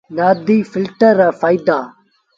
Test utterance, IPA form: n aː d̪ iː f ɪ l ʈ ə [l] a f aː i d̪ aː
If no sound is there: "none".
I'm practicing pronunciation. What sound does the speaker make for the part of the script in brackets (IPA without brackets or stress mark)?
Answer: ɾ